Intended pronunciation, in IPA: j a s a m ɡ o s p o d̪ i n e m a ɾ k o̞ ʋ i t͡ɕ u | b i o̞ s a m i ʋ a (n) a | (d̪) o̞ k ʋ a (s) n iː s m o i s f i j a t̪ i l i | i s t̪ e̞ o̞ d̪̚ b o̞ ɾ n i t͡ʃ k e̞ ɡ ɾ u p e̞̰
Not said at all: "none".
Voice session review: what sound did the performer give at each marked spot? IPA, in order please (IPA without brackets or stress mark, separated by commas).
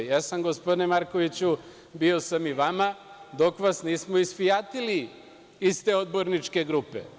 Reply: m, d̪, s